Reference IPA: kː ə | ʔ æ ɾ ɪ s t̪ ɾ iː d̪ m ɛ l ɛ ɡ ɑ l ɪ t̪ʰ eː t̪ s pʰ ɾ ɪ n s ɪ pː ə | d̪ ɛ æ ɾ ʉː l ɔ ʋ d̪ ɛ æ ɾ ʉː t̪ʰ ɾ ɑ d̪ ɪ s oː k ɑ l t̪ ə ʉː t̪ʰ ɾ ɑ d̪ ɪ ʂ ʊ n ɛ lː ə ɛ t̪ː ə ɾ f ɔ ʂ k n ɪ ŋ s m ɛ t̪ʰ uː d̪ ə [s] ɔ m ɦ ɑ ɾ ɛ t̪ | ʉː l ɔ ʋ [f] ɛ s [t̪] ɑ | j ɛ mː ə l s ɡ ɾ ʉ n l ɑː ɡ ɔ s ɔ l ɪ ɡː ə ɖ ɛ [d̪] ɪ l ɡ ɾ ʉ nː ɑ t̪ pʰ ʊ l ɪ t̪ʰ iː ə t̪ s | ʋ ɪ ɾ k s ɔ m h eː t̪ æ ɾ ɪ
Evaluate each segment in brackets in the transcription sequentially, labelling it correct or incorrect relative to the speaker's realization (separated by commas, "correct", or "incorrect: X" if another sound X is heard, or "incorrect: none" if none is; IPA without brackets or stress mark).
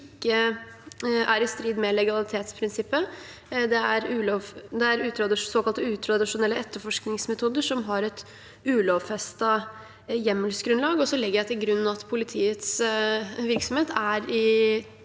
incorrect: ʂ, correct, correct, incorrect: t̪